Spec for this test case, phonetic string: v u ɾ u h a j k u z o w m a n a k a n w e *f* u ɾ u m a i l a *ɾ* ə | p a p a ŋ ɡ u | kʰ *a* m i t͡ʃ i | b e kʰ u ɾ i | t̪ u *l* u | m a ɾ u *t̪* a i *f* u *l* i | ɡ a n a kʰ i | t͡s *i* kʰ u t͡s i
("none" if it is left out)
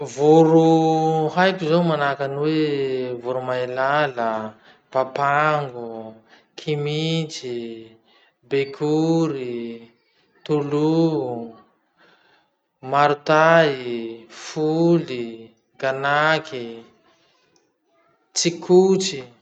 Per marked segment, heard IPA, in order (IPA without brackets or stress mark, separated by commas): v, l, i, l, t̪, f, l, i